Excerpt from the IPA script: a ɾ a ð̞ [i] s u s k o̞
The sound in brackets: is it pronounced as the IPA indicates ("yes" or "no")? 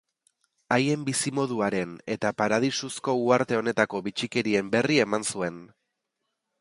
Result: yes